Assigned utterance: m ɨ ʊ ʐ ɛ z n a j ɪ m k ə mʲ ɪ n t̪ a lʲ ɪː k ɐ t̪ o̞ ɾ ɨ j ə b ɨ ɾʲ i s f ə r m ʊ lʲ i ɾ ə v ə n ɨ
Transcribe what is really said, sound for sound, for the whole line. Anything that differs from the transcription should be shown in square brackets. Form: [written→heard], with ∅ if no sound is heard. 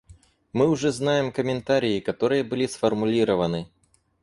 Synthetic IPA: m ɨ ʊ ʐ ɛ z n a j ɪ m k ə mʲ ɪ n t̪ a [lʲ→ɾʲ] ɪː k ɐ t̪ o̞ ɾ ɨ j ə b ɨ [ɾʲ→lʲ] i s f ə r m ʊ lʲ i ɾ ə v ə n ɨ